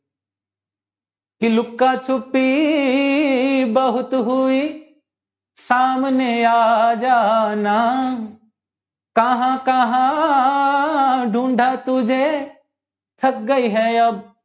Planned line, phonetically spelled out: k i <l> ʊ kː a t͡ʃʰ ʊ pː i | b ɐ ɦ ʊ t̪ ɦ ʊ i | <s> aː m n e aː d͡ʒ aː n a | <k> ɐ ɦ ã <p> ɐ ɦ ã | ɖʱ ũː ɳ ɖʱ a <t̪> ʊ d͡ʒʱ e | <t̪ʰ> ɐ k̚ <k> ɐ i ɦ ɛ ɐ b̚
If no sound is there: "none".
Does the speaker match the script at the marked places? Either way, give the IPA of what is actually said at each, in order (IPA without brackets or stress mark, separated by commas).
l, s, k, k, t̪, t̪ʰ, ɡ